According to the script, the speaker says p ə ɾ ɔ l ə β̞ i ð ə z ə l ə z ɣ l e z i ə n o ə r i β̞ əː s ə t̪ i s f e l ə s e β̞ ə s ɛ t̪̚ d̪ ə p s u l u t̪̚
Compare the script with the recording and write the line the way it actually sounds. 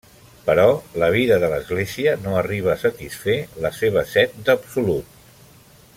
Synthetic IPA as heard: p ə ɾ ɔ l ə β̞ i ð ə ð ə l ə z ɣ l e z i ə n o ə r i β̞ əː s ə t̪ i s f e l ə s e β̞ ə s ɛ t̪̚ d̪ ə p s u l u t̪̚